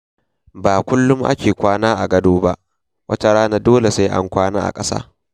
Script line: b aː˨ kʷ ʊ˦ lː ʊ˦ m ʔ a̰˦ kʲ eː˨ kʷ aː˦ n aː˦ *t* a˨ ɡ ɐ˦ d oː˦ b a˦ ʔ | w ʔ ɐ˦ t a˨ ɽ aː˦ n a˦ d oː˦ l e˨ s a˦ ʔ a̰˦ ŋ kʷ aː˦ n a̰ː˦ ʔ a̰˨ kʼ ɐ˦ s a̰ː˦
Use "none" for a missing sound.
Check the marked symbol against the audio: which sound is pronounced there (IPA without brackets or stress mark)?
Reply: ʔ